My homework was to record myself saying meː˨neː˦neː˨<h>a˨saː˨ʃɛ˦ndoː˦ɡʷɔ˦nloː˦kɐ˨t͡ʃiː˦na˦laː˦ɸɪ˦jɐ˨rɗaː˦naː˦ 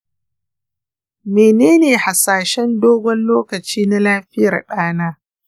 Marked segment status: correct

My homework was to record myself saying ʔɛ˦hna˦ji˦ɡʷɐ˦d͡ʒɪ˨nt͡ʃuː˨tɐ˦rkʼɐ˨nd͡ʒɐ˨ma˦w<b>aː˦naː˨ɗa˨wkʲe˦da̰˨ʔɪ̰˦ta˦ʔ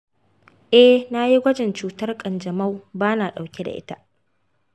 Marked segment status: correct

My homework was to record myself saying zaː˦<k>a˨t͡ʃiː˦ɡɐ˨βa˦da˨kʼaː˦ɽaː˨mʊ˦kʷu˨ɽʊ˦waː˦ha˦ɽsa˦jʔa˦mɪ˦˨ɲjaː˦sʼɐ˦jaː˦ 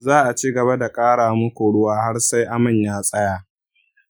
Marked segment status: incorrect: ʔ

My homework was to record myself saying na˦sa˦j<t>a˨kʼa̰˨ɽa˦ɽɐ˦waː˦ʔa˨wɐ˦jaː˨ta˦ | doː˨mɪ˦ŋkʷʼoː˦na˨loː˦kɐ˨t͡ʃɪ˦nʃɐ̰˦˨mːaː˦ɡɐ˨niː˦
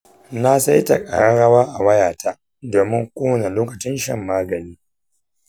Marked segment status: correct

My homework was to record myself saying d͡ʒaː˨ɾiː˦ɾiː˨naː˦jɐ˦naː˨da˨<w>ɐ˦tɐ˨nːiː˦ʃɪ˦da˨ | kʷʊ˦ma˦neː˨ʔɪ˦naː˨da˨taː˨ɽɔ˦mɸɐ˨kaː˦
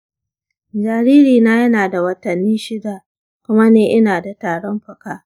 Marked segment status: correct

